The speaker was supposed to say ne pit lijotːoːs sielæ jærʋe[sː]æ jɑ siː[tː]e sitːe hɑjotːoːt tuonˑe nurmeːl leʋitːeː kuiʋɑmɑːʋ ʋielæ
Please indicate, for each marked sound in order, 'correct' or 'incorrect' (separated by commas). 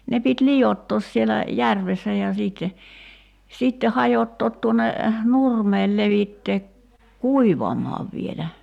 correct, correct